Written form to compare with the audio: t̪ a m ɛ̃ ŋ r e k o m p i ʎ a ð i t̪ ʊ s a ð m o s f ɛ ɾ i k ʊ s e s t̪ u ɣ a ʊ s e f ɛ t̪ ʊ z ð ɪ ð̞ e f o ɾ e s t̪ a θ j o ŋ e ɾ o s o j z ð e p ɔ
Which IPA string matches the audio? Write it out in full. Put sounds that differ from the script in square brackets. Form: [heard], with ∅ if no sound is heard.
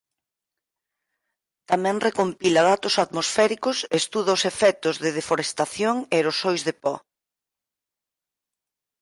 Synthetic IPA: t̪ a m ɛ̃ ŋ r e k o m p i [l] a ð [a] t̪ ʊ s a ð m o s f ɛ ɾ i k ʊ s e s t̪ u [ð] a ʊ s e f ɛ t̪ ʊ z ð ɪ ð̞ e f o ɾ e s t̪ a θ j o ŋ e ɾ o s o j z ð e p ɔ